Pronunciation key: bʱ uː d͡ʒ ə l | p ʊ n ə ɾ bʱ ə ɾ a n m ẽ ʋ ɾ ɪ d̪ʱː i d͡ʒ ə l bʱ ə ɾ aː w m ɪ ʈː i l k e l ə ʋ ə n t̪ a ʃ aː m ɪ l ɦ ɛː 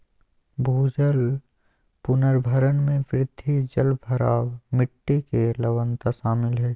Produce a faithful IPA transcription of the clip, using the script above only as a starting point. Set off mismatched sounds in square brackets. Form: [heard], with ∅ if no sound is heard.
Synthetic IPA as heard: bʱ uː d͡ʒ ə l | p ʊ n ə ɾ bʱ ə ɾ [ə] n m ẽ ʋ ɾ ɪ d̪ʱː i d͡ʒ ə l bʱ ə ɾ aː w m ɪ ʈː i [∅] k e l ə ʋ ə n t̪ a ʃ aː m ɪ l ɦ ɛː